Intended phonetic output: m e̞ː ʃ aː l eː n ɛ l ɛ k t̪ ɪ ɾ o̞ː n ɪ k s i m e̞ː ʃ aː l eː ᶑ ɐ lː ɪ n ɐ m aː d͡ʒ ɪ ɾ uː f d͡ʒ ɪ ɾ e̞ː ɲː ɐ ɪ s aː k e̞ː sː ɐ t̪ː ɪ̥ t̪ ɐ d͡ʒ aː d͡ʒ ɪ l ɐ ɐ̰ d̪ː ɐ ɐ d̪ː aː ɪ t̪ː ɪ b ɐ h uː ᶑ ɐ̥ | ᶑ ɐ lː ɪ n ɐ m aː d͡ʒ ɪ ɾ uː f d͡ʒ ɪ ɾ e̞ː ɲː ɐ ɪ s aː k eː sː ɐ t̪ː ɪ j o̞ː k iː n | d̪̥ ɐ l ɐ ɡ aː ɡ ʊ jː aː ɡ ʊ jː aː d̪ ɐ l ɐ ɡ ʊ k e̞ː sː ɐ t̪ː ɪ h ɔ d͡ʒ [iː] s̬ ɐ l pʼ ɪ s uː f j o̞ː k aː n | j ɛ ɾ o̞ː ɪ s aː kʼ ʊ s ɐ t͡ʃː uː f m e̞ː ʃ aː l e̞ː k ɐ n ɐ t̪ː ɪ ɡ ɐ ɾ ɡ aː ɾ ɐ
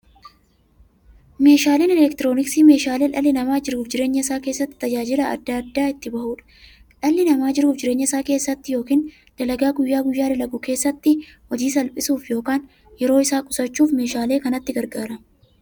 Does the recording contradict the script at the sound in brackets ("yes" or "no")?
no